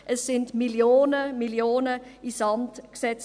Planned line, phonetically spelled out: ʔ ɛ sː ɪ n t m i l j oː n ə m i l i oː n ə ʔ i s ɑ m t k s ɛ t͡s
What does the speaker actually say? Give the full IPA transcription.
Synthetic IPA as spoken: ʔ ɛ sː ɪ n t m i l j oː n ə m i l j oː n ə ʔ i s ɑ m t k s ɛ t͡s